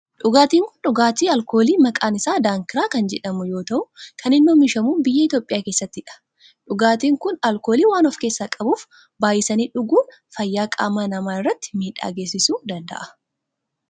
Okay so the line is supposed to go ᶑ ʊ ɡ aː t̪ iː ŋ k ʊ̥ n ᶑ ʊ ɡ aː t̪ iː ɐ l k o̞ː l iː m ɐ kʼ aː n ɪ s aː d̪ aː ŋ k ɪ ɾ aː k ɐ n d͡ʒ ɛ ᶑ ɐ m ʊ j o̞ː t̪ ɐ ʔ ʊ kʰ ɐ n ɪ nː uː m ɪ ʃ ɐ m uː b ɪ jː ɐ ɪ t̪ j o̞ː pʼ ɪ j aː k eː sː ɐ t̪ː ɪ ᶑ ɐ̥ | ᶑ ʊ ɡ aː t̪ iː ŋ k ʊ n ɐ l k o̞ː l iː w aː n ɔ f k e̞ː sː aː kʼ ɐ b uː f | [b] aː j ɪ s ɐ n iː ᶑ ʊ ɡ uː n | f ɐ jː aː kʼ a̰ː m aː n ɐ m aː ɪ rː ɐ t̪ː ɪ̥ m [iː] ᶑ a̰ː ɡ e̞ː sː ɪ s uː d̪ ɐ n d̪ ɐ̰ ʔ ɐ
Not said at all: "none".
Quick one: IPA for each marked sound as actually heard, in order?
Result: b, iː

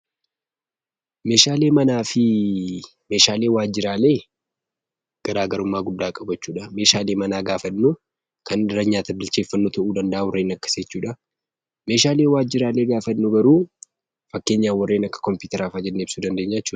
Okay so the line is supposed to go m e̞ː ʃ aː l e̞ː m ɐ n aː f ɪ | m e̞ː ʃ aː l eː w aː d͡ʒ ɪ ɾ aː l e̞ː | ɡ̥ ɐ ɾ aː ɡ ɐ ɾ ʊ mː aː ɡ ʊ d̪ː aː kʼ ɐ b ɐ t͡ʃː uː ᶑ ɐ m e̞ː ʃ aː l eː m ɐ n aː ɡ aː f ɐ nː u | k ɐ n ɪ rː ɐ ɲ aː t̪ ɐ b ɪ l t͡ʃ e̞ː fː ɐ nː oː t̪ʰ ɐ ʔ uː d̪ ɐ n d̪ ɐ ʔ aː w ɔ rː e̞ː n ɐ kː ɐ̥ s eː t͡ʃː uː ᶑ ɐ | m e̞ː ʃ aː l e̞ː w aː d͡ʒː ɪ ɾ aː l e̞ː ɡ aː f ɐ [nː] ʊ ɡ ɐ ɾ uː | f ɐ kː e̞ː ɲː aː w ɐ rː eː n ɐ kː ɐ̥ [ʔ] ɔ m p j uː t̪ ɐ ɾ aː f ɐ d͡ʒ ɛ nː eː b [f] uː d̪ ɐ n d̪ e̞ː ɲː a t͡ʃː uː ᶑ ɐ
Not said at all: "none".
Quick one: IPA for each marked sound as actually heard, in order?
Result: nː, k, s

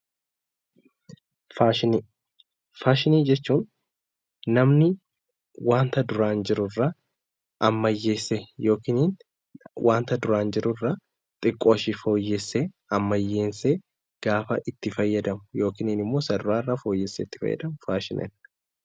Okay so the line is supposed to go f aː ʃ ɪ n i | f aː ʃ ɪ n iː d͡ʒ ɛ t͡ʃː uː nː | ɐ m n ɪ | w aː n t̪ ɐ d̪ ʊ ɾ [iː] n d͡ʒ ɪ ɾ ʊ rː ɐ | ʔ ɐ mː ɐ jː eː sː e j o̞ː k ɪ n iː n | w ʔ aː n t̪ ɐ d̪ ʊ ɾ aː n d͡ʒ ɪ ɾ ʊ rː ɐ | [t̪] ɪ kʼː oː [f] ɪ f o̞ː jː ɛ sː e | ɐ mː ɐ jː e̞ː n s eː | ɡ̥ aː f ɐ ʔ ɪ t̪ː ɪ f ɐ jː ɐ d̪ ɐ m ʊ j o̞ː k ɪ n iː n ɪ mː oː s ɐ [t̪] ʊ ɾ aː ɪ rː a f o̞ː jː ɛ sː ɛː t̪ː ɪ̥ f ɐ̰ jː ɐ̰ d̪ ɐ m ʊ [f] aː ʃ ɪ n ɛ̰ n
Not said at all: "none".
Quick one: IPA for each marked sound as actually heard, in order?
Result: aː, t̪ʼ, ʃ, d̪, f

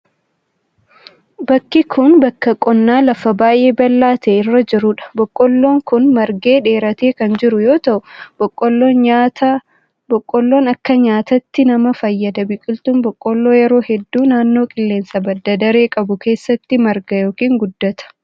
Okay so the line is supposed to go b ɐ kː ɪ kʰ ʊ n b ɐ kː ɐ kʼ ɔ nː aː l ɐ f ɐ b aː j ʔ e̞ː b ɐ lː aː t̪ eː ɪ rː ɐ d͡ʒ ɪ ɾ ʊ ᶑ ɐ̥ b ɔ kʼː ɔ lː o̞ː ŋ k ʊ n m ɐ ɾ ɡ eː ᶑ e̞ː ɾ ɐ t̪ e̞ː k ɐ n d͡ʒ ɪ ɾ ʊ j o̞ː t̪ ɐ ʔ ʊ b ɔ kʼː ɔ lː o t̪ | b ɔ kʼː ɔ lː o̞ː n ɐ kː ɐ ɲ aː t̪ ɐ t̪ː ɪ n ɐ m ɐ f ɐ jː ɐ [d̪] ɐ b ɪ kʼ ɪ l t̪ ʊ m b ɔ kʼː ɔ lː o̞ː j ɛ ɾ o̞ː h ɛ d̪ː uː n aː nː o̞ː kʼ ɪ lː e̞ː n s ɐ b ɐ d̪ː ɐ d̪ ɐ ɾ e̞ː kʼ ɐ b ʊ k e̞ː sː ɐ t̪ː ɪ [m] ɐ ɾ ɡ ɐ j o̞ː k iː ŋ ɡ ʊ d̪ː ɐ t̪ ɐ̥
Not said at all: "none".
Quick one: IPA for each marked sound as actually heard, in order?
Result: d̪, m

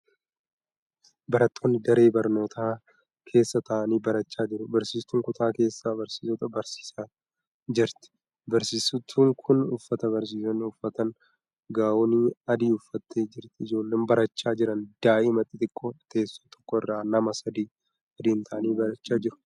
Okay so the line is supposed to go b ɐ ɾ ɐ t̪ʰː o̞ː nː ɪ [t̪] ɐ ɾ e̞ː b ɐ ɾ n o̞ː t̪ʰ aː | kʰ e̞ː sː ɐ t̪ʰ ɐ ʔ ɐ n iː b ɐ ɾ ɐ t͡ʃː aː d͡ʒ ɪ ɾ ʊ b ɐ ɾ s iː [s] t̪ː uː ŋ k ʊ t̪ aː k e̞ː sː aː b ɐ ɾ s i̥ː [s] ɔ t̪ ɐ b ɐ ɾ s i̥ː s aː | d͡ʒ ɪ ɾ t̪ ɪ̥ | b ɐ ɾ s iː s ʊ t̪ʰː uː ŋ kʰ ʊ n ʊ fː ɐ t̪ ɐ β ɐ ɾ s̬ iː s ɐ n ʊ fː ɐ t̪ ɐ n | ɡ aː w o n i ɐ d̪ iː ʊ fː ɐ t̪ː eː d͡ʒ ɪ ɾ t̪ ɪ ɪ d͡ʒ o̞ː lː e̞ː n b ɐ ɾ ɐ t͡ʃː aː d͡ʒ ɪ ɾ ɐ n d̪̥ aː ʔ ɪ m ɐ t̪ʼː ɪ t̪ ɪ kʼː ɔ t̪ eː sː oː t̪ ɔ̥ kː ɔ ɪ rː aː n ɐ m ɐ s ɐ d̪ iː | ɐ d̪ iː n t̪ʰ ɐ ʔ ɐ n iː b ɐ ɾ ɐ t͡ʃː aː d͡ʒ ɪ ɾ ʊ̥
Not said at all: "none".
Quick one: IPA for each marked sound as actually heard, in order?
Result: d̪, s, s

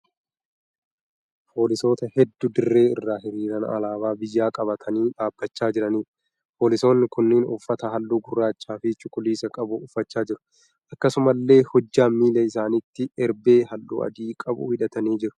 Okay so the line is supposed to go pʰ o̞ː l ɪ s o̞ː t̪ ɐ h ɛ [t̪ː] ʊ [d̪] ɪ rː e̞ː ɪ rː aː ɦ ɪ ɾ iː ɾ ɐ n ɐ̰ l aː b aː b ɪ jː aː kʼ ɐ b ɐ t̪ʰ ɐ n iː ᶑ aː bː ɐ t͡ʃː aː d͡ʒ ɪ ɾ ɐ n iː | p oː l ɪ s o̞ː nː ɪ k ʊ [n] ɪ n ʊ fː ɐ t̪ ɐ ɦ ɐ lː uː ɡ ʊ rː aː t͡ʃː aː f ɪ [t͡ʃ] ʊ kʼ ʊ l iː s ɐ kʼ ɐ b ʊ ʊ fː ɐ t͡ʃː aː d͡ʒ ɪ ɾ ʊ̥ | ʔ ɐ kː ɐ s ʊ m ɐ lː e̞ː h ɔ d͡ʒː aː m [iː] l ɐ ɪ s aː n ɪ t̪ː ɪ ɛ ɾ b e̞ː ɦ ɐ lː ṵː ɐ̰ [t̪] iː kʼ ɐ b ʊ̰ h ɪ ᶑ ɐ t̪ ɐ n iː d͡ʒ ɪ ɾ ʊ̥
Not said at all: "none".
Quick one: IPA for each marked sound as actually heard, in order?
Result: d̪ː, d̪, nː, t͡ʃ, iː, d̪

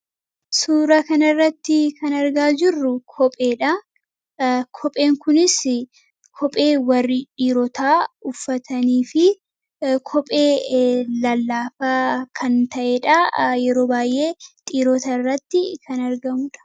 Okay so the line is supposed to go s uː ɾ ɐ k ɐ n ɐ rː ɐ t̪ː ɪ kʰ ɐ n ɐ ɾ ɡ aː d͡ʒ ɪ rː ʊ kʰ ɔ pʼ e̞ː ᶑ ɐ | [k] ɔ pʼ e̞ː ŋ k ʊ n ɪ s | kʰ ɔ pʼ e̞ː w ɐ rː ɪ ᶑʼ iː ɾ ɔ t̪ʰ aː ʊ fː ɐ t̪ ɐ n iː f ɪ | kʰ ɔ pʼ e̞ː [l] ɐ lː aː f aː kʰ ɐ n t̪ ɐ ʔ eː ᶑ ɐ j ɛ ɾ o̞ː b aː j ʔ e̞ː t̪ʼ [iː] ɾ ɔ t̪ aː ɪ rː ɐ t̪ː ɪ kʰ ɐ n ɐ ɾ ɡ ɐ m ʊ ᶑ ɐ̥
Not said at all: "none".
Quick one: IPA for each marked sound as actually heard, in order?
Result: kʰ, l, iː

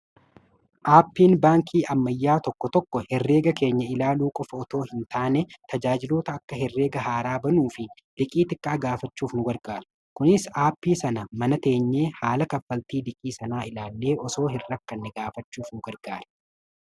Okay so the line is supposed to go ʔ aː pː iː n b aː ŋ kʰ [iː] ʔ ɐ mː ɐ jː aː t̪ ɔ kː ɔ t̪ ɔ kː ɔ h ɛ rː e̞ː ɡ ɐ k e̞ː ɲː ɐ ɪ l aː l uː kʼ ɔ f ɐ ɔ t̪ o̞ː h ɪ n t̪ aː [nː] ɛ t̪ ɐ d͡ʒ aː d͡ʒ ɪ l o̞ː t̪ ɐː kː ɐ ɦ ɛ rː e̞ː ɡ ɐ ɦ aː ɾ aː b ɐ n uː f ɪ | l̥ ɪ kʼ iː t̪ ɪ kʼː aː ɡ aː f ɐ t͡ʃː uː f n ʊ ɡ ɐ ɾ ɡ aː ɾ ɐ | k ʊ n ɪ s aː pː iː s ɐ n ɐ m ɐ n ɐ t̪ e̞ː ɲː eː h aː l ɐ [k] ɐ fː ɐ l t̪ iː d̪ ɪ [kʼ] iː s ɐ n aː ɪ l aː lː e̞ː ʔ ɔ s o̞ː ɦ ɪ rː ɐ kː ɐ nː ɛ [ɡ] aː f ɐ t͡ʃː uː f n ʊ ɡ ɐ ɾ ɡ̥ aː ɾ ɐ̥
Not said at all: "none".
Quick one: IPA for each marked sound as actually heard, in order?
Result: iː, n, k, kʼ, ɡ

